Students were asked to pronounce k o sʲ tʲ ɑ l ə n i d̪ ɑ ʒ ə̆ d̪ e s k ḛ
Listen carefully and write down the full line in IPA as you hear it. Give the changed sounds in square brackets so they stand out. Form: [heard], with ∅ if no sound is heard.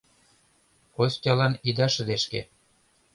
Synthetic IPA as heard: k o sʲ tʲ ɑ l [ɑ] n i d̪ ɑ [ʃ] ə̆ d̪ e [ʃ] k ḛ